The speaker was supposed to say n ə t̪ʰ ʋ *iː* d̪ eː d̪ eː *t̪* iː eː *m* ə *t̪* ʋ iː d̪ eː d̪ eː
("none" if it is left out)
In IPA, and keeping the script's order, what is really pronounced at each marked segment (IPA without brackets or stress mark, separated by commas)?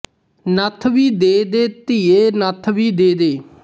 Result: iː, t̪, n, t̪ʰ